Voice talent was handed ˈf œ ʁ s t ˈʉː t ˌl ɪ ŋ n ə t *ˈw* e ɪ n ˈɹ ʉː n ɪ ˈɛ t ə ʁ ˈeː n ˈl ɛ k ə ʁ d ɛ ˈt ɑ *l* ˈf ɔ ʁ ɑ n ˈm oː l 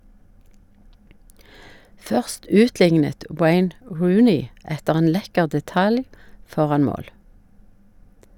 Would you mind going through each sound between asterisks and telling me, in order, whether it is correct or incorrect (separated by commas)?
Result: correct, correct